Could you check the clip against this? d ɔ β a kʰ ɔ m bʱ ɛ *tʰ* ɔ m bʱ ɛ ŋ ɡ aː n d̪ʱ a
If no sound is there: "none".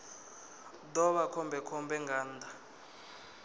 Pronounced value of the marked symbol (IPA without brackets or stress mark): kʰ